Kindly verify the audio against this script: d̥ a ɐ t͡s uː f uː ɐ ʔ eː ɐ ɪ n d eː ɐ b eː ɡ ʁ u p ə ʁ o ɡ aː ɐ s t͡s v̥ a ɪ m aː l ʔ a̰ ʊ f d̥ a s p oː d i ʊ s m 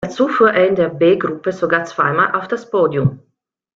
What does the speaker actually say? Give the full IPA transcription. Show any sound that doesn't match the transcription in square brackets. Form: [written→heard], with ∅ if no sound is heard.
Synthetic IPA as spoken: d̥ a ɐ t͡s uː f uː ɐ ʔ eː ɐ ɪ n d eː ɐ b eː ɡ ʁ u p ə [ʁ→z] o ɡ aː ɐ [s→∅] t͡s v̥ a ɪ m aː l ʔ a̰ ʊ f d̥ a s p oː d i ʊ [s→∅] m

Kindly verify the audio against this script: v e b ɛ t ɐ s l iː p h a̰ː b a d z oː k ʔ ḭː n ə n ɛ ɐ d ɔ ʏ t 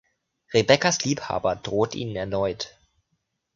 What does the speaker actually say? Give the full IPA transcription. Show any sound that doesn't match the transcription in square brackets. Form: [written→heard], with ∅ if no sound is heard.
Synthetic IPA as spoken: [v→ʁ] e b ɛ [t→k] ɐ s l iː p h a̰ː b [a→ɐ] d [z→ʁ] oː [k→t] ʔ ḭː n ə n ɛ ɐ [d→n] ɔ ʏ t

